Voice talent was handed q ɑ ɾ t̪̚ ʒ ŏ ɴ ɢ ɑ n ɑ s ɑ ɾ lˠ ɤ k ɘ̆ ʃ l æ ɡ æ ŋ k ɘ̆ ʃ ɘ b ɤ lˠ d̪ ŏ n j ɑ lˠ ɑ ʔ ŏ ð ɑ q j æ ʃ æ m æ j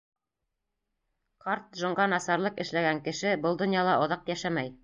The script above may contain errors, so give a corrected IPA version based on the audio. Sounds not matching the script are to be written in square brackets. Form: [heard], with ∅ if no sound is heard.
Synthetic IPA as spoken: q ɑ ɾ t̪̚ ʒ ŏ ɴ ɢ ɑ n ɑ s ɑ ɾ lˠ ɤ [q] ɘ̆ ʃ l æ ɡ æ ŋ k ɘ̆ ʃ ɘ b ɤ lˠ d̪ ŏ n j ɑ lˠ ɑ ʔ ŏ ð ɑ q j æ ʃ æ m æ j